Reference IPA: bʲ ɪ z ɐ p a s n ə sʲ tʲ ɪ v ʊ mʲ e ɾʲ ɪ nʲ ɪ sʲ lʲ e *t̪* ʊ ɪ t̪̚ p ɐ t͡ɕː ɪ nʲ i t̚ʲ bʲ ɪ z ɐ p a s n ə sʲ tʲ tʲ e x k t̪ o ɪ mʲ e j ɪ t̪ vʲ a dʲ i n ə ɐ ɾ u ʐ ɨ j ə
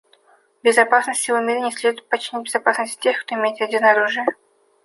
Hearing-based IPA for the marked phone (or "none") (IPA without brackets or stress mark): d̪